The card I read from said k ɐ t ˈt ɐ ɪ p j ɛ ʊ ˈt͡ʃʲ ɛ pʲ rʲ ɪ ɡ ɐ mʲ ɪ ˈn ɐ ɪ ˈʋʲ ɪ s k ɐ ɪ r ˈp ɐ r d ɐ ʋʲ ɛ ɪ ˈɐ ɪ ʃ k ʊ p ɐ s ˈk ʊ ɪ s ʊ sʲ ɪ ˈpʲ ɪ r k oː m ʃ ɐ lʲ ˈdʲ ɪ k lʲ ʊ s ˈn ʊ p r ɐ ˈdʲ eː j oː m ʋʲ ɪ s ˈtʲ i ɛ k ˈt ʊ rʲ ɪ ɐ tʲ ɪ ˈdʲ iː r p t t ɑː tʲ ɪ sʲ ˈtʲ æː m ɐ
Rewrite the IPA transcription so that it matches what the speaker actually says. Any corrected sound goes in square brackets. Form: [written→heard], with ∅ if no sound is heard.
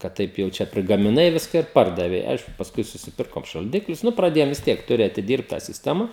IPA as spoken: k ɐ t ˈt ɐ ɪ p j ɛ ʊ ˈt͡ʃʲ ɛ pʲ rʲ ɪ ɡ ɐ mʲ ɪ ˈn ɐ ɪ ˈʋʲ ɪ s k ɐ ɪ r ˈp ɐ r d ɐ ʋʲ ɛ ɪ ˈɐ ɪ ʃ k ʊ p ɐ s ˈk ʊ ɪ s ʊ sʲ ɪ ˈpʲ ɪ r k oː m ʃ ɐ lʲ ˈdʲ ɪ k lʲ ʊ s ˈn ʊ p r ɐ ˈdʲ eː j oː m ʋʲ ɪ s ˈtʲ i ɛ k ˈt ʊ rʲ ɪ ɐ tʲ ɪ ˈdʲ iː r p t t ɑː [tʲ→sʲ] ɪ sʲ ˈtʲ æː m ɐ